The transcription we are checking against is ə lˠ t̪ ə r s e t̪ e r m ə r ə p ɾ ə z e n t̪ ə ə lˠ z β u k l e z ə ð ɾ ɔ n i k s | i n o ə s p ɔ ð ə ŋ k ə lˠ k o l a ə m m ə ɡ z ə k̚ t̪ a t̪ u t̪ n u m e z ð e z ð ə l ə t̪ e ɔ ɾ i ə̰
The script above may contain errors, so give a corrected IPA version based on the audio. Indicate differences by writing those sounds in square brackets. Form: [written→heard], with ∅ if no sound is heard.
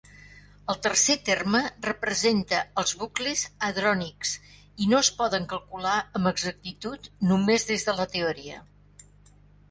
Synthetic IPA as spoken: ə lˠ t̪ ə r s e t̪ e r m ə r ə p ɾ ə z e n t̪ ə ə lˠ z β u k l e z ə ð ɾ ɔ n i k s | i n o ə s p ɔ ð ə ŋ k ə lˠ k [o→u] l a ə m [m→b] ə ɡ z ə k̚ t̪ [a→i] t̪ u t̪ n u m e z ð e z ð ə l ə t̪ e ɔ ɾ i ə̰

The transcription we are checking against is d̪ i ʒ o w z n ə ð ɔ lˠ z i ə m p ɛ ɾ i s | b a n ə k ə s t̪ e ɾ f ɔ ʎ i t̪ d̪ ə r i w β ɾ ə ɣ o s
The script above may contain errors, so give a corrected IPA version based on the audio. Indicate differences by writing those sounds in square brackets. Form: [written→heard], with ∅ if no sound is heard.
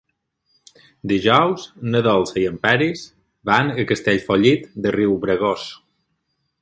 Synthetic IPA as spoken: d̪ i ʒ [o→ɔ] w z n ə ð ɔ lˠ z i ə m p ɛ ɾ i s | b a n ə k ə s t̪ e [ɾ→ʎ] f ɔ ʎ i t̪ d̪ ə r i w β ɾ ə ɣ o s

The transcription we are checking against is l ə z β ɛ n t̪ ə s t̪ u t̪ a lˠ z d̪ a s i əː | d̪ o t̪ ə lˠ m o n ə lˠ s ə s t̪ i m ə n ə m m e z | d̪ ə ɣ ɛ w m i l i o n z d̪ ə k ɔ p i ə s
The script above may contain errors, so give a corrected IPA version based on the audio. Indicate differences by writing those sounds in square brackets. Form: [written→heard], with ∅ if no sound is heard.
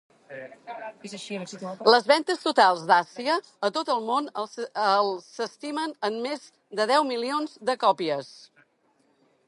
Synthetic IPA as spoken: l ə z β ɛ n t̪ ə s t̪ u t̪ a lˠ z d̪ a s i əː | [d̪→t̪] o t̪ ə lˠ m o n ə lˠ s ə s t̪ i m ə n ə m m e z | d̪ ə [ɣ→ð] ɛ w m i l i o n z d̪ ə k ɔ p i ə s

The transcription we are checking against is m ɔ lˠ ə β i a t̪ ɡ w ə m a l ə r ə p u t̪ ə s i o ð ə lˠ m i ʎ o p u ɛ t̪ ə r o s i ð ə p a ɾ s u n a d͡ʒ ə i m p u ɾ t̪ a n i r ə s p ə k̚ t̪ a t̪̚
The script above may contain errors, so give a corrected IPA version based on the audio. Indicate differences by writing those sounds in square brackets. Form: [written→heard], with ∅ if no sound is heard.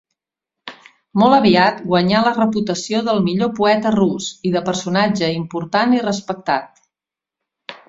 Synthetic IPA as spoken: m ɔ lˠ ə β i a t̪ ɡ w ə [m→ɲ] a l ə r ə p u t̪ ə s i o ð ə lˠ m i ʎ o p u ɛ t̪ ə r [o→u] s i ð ə p [a→ə] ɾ s u n a d͡ʒ ə i m p u ɾ t̪ a n i r ə s p ə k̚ t̪ a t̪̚

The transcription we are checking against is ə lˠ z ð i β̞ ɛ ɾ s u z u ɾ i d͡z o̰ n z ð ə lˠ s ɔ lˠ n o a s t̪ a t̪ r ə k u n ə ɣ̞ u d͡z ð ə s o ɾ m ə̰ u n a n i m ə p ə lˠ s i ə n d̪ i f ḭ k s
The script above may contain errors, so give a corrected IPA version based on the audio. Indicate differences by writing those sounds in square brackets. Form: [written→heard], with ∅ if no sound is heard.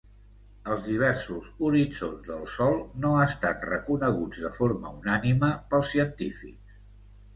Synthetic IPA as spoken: ə lˠ z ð i β̞ ɛ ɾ s u z u ɾ i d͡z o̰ n z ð ə lˠ s ɔ lˠ n o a s t̪ a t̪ r ə k u n ə ɣ̞ u d͡z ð ə [s→f] o ɾ m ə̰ u n a n i m ə p ə lˠ s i ə n [d̪→t̪] i f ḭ k s

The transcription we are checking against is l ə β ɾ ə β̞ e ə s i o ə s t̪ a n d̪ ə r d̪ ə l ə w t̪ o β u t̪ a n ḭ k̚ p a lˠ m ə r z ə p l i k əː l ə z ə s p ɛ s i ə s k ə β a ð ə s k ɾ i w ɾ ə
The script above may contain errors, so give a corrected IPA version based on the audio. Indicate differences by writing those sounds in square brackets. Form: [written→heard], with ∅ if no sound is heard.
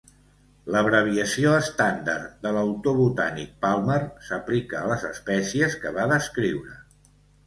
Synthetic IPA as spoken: l ə β ɾ ə β̞ [e→i] ə s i o ə s t̪ a n d̪ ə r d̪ ə l ə w t̪ o β u t̪ a n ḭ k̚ p a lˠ m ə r [z→s] ə p l i k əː l ə z ə s p ɛ s i ə s k ə β a ð ə s k ɾ i w ɾ ə

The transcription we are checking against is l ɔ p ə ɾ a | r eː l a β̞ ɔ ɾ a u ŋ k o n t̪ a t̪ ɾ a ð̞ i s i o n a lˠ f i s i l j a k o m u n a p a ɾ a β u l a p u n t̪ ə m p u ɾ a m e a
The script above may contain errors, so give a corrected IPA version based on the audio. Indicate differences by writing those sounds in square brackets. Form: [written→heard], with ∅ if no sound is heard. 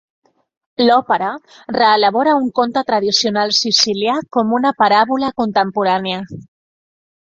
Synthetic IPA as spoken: l ɔ p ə ɾ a | r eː l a β̞ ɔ ɾ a u ŋ k o n t̪ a t̪ ɾ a ð̞ i s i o n a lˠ [f→s] i s i l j a k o m u n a p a ɾ a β u l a [p→k] u n t̪ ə m p u ɾ a [m→n] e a

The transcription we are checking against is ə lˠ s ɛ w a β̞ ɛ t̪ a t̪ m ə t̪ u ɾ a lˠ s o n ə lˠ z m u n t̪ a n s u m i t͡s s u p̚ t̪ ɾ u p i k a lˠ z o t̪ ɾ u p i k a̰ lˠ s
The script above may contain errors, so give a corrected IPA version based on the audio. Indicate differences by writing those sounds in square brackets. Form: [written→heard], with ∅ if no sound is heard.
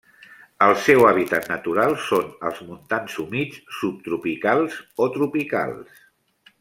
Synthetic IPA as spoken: ə lˠ s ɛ w a β̞ [ɛ→i] t̪ a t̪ [m→n] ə t̪ u ɾ a lˠ s o n ə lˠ z m u n t̪ a n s u m i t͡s s u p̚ t̪ ɾ u p i k a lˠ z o t̪ ɾ u p i k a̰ lˠ s

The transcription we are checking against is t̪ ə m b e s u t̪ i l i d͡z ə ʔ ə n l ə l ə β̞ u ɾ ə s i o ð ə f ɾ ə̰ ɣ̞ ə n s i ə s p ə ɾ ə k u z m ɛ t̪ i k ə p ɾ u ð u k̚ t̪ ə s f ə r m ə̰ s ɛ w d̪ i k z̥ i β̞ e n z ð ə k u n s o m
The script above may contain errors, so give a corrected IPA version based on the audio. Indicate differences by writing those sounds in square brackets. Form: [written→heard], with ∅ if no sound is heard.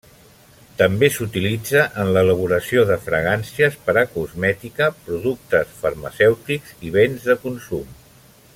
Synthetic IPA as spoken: t̪ ə m b e s u t̪ i l i d͡z ə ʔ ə n l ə l ə β̞ u ɾ ə s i o ð ə f ɾ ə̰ ɣ̞ [ə→a] n s i ə s p ə ɾ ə k u z m ɛ t̪ i k ə p ɾ u ð u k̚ t̪ ə s f ə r m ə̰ s ɛ w [d̪→t̪] i k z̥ i β̞ e n z ð ə k u n s [o→u] m

